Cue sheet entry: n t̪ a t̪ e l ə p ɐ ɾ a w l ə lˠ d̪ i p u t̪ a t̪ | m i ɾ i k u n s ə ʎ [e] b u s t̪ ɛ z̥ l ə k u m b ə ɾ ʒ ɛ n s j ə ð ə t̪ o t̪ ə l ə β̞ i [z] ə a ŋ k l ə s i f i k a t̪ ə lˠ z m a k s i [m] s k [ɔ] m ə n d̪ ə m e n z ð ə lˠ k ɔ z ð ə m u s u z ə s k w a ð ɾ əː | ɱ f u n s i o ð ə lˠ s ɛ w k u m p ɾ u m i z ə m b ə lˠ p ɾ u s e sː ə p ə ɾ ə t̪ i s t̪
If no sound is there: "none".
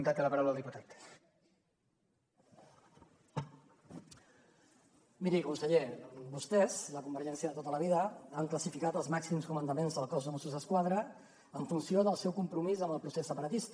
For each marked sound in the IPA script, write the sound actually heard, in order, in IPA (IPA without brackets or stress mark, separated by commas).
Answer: e, ð, m, u